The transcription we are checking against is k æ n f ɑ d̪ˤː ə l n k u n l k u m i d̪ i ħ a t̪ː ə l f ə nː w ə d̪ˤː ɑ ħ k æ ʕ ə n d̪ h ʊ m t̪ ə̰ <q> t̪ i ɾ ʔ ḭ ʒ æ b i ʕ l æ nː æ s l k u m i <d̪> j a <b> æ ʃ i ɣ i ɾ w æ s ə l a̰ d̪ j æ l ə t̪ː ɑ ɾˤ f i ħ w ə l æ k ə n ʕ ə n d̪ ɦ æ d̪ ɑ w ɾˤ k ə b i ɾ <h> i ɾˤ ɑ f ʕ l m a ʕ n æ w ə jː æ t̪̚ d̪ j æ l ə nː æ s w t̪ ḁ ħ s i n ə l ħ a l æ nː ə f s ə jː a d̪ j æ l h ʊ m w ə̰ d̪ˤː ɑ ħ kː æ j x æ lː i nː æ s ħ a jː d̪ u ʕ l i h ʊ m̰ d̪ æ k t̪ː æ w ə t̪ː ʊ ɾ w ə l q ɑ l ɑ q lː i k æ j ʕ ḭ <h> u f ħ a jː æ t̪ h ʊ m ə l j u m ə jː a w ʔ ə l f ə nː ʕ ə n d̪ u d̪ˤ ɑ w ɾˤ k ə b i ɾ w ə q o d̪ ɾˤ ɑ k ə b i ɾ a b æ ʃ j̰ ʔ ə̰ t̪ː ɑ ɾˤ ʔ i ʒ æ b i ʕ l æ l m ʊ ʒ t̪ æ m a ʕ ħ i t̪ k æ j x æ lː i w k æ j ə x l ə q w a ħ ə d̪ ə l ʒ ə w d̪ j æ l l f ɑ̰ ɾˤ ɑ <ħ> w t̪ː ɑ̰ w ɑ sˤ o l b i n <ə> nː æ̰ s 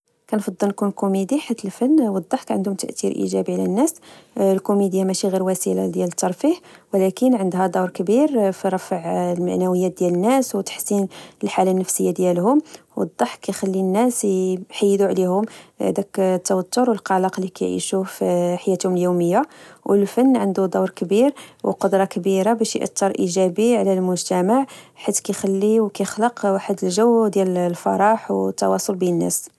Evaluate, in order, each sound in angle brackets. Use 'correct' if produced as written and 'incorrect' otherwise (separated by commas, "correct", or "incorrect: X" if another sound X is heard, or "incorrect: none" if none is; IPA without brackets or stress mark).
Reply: incorrect: ʔ, correct, incorrect: m, incorrect: f, incorrect: ʃ, correct, correct